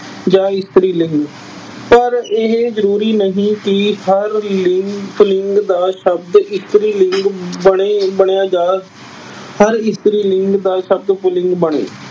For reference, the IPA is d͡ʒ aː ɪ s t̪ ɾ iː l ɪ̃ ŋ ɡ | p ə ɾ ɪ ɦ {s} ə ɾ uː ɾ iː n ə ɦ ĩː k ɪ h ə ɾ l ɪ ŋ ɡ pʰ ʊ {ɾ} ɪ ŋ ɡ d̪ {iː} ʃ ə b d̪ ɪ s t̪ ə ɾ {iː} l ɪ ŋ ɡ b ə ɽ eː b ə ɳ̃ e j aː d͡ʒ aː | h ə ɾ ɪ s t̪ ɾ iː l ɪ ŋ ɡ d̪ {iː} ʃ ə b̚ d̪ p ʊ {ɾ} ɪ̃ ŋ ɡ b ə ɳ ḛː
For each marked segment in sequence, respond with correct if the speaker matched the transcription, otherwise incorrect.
incorrect: z, incorrect: l, incorrect: aː, correct, incorrect: aː, incorrect: l

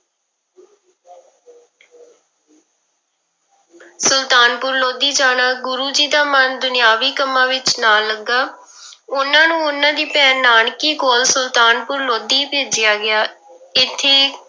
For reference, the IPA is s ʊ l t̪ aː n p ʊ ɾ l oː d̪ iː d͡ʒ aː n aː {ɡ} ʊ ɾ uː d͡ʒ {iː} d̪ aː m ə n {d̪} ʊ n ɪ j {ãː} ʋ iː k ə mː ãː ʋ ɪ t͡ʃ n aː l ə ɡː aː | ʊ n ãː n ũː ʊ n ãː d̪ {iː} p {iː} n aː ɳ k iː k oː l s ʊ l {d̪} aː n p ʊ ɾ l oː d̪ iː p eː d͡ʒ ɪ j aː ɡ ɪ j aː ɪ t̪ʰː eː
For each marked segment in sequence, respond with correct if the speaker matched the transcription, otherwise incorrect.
correct, correct, correct, incorrect: aː, correct, incorrect: ɛː, incorrect: t̪

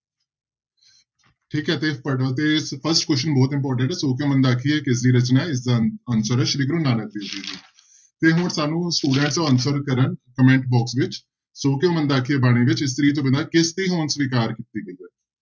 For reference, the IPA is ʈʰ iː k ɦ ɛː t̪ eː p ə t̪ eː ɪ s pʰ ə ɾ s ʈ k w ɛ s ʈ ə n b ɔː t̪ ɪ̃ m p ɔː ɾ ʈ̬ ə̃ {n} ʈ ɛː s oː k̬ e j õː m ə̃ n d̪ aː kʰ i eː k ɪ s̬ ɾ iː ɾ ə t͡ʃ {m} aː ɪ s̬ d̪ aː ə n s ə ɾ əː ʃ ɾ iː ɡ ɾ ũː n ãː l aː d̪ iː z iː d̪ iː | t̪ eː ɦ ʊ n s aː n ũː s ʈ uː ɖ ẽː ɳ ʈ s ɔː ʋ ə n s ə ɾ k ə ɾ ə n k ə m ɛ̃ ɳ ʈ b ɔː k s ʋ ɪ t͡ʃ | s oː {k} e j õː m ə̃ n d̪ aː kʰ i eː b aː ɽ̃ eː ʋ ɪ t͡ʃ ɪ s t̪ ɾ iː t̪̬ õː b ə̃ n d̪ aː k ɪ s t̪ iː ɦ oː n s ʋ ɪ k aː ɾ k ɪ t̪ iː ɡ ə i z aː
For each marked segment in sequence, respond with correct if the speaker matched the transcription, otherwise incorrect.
incorrect: ɳ, incorrect: n, correct

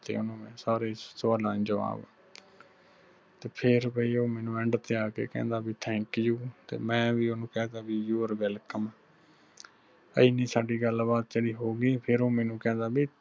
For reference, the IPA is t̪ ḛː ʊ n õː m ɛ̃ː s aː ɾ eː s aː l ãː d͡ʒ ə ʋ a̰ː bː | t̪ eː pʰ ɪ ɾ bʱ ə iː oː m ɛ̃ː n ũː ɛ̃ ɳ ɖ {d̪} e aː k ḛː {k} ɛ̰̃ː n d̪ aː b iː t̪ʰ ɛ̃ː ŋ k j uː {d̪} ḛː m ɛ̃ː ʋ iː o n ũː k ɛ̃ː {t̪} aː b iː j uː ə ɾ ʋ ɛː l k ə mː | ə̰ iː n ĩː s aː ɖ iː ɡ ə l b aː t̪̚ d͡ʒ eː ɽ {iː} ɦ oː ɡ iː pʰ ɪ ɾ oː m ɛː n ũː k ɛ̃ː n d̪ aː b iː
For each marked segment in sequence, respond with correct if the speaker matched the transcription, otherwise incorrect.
incorrect: t̪, correct, incorrect: t̪, incorrect: d̪, correct

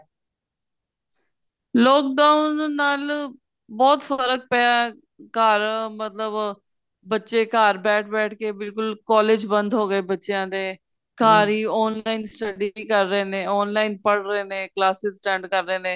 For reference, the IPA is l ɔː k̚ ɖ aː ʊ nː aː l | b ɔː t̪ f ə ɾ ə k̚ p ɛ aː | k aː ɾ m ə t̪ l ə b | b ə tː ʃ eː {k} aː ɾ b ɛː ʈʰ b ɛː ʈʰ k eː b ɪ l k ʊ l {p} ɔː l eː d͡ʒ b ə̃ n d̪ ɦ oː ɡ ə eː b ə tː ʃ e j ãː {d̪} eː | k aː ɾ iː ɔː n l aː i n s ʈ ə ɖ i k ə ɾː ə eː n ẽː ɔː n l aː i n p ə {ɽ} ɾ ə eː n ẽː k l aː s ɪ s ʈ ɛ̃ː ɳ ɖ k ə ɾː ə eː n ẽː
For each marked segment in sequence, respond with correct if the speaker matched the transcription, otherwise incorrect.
correct, incorrect: k, correct, correct

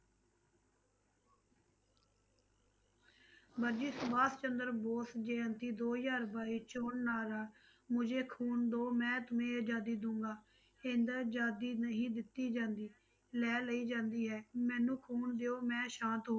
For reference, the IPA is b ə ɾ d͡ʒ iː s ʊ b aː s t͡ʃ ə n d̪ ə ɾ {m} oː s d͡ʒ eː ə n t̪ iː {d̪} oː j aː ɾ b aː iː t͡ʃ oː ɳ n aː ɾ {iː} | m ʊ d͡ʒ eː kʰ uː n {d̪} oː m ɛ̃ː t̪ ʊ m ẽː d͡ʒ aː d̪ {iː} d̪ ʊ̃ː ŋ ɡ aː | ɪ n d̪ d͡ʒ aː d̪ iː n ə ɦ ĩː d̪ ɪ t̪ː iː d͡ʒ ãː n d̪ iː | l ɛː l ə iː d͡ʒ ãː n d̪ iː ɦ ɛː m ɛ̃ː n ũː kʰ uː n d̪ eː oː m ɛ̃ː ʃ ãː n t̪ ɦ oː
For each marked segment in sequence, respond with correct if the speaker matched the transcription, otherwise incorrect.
incorrect: b, correct, incorrect: aː, correct, correct

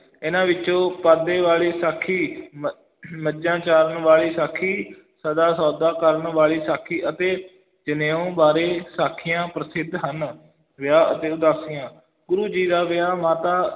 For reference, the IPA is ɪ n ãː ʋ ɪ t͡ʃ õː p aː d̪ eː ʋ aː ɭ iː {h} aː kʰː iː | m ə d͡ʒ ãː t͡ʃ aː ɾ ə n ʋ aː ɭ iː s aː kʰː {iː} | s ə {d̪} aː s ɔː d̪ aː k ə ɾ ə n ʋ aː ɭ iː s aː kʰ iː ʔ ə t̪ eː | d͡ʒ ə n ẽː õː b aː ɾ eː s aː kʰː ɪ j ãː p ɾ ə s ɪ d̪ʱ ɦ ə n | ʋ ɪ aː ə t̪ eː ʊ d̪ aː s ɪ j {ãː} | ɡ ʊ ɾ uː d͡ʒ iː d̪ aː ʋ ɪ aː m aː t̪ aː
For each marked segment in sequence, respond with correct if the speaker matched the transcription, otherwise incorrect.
incorrect: s, correct, correct, correct

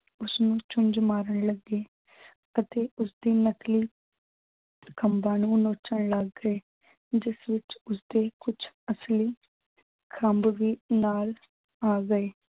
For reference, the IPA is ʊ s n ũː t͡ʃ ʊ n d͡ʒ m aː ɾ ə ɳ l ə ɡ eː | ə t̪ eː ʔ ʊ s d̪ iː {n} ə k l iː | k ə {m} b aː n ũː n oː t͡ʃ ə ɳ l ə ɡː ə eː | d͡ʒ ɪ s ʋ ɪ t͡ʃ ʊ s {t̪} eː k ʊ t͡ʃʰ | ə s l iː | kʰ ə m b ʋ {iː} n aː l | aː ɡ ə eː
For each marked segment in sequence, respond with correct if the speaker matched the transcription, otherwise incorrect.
correct, correct, incorrect: d̪, correct

